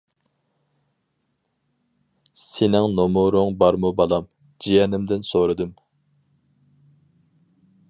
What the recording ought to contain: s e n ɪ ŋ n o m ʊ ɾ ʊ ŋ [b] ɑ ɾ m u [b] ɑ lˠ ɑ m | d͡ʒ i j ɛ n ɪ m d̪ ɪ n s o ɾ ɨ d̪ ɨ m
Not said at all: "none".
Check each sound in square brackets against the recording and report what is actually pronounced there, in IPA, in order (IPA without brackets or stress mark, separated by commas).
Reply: b, b